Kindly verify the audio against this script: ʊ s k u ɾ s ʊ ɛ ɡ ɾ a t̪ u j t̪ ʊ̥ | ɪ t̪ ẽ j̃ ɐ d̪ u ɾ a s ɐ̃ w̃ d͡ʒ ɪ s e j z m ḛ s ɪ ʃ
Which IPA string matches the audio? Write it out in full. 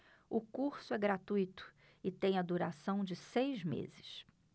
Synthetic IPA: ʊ k u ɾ s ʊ ɛ ɡ ɾ a t̪ u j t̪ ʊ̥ | ɪ t̪ ẽ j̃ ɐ d̪ u ɾ a s ɐ̃ w̃ d͡ʒ ɪ s e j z m ḛ z ɪ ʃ